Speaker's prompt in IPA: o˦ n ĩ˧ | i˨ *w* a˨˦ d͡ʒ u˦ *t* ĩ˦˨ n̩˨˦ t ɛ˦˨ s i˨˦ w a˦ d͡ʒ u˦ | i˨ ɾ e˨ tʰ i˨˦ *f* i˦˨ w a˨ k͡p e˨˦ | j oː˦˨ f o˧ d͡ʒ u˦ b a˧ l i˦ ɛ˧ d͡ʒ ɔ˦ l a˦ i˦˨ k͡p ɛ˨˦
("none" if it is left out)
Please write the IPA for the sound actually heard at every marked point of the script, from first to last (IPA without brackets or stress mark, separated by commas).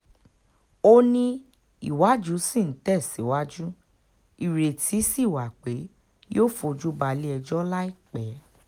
w, s, s